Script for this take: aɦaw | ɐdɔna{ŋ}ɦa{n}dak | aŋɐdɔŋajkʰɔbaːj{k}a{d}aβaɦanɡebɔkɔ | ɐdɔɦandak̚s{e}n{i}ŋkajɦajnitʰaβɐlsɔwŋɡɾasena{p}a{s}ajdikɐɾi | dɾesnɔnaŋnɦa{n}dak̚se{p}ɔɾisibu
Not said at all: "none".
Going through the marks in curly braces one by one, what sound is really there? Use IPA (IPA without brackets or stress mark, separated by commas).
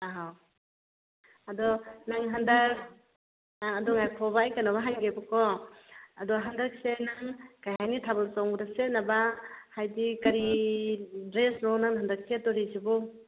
ŋ, n, k, n, e, a, b, h, n, t